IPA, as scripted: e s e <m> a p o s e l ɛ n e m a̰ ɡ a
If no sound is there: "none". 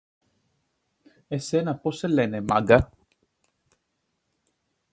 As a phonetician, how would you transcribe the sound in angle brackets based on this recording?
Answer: n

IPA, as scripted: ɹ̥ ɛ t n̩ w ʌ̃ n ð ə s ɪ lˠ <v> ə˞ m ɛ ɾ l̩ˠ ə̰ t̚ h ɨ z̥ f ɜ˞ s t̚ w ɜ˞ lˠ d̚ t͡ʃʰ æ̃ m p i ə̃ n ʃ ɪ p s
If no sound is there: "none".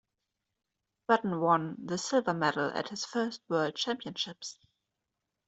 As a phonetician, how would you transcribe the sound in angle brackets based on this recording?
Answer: v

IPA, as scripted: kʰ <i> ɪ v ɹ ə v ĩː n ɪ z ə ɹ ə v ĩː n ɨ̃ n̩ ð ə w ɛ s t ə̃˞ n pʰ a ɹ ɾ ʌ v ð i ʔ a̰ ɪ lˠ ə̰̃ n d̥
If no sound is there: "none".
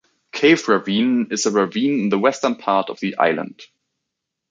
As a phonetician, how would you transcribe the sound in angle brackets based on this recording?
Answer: e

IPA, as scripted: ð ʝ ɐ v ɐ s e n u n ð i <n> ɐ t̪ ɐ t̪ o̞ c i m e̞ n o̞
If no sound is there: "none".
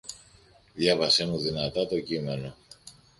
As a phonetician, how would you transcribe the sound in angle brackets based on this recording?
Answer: n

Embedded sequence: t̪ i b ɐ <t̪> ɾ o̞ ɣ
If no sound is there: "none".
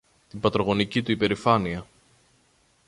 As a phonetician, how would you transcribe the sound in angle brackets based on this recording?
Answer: t̪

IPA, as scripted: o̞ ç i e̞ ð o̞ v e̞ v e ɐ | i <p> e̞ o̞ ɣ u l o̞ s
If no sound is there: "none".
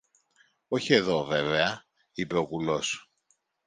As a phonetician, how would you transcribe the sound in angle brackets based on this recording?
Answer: p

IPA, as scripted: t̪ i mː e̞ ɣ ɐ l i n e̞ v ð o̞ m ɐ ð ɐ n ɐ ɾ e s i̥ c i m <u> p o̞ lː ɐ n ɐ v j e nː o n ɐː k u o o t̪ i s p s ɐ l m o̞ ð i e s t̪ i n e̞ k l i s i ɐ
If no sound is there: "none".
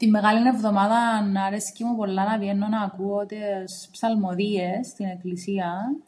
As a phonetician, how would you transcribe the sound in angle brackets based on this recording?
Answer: u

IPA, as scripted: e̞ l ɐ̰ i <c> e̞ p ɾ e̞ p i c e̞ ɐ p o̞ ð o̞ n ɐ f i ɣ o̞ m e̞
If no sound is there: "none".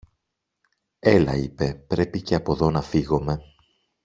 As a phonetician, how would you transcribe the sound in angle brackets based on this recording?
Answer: p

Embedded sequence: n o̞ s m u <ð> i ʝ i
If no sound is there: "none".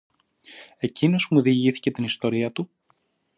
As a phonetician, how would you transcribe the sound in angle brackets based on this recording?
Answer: ð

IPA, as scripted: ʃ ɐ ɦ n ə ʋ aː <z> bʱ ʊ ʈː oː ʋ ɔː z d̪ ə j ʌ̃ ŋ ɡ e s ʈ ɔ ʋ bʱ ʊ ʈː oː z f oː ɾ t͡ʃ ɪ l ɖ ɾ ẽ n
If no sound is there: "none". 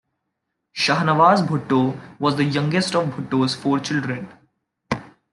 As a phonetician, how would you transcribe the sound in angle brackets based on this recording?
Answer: z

